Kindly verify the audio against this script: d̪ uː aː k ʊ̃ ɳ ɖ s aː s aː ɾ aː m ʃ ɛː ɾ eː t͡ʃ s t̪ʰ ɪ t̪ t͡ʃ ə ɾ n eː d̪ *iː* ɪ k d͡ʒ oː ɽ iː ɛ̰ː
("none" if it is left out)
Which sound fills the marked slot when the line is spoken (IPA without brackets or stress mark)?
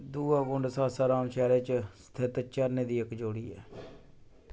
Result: iː